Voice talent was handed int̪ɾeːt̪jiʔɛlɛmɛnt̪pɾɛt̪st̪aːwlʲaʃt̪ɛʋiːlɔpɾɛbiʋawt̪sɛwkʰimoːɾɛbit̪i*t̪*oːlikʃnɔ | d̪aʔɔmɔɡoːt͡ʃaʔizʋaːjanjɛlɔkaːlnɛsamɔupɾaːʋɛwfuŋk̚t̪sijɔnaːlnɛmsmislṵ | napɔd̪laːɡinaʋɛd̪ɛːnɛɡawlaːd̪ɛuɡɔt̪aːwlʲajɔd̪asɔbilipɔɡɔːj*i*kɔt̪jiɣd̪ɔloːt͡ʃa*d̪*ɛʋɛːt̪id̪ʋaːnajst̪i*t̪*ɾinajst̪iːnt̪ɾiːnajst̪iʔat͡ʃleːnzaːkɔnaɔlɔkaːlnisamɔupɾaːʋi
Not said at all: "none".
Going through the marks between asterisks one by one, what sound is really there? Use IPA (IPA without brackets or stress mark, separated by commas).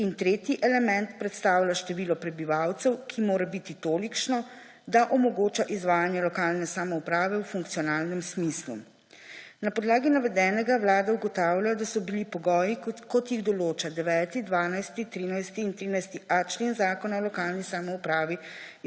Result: t̪, i, d̪, t̪